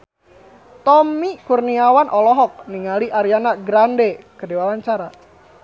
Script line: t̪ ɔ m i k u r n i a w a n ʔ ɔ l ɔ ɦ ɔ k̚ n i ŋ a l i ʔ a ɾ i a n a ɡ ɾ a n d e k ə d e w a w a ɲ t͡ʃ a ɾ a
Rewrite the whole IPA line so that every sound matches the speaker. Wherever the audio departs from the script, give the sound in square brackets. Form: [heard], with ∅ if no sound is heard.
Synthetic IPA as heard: t̪ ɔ m i k u r n i a w a n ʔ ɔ l ɔ ɦ ɔ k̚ n i ŋ a l i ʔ a ɾ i a n a ɡ ɾ a n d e k ə d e w a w a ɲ t͡ʃ a ɾ a